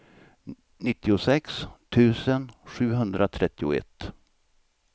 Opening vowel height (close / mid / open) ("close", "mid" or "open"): close